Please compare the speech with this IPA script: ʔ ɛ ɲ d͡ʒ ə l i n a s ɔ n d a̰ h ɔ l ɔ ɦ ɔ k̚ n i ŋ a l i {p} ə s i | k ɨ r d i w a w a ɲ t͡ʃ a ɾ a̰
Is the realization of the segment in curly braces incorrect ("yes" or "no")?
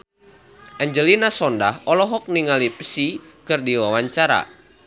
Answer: no